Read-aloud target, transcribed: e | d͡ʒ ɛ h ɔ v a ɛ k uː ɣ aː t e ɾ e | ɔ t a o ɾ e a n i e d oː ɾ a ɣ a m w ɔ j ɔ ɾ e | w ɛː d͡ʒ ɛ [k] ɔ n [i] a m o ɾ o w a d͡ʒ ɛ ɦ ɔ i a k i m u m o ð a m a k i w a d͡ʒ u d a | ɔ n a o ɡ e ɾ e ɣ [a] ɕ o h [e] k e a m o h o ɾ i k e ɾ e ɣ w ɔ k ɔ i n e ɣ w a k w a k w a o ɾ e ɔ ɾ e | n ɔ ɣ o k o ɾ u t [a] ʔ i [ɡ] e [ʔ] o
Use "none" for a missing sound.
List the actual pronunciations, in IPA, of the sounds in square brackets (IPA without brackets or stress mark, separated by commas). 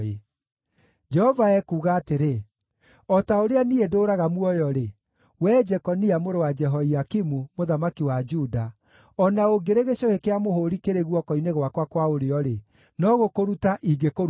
k, i, e, e, a, ɡ, k